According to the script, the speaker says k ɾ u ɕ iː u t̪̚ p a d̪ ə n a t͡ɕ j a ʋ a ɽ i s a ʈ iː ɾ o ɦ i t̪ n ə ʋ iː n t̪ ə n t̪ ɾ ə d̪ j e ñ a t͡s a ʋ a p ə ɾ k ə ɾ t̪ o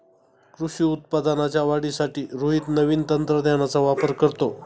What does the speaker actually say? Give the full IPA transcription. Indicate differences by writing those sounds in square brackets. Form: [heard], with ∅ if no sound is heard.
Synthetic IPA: k ɾ u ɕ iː u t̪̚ p a d̪ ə n a t͡ɕ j a ʋ a ɽ i s a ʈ iː ɾ o ɦ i t̪ n ə ʋ iː n t̪ ə n t̪ ɾ ə d̪ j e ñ a t͡s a ʋ a p ə ɾ k ə ɾ t̪ o